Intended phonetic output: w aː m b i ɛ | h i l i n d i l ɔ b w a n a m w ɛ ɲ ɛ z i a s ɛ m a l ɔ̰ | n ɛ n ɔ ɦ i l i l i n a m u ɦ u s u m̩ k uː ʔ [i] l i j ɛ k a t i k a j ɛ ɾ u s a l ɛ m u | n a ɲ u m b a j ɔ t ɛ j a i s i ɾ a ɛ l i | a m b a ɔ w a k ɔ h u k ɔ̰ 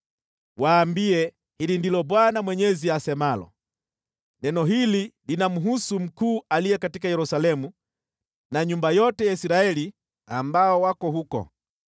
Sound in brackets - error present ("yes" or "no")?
yes